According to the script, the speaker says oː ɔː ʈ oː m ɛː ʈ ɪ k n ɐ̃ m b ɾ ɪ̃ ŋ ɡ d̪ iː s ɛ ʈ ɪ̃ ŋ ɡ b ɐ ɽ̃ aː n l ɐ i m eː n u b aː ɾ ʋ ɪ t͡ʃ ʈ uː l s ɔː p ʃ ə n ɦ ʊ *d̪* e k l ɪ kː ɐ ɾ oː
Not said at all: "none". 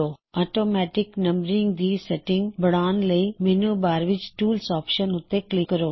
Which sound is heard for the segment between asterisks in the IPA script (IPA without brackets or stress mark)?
t̪